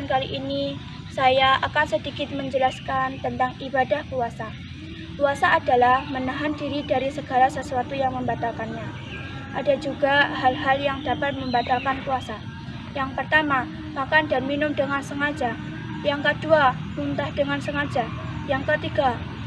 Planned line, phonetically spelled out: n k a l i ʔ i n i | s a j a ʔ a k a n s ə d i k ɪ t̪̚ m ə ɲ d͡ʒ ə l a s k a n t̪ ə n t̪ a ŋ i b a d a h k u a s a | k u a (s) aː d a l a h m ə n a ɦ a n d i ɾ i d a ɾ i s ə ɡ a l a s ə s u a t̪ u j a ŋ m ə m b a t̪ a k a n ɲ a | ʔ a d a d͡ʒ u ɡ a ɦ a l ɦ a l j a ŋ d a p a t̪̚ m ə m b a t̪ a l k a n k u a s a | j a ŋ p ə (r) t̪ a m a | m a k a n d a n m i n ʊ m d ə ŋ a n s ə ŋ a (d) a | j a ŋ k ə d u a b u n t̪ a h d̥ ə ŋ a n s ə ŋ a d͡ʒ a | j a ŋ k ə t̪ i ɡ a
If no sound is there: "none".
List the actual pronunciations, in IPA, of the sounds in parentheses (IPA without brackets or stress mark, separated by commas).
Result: s, r, d͡ʒ